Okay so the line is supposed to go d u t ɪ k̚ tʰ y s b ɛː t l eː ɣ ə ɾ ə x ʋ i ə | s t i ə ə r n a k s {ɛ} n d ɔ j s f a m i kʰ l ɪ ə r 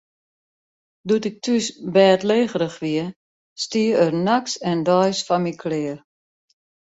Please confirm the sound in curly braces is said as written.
yes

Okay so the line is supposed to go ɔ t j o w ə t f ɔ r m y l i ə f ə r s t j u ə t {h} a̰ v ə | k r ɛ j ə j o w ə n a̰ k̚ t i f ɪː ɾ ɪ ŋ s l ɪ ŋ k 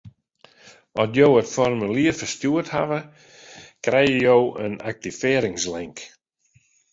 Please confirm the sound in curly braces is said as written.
yes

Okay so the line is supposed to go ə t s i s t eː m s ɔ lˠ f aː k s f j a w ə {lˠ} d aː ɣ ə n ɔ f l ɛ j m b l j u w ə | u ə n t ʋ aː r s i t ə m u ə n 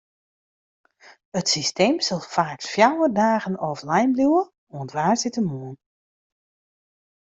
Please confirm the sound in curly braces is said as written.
no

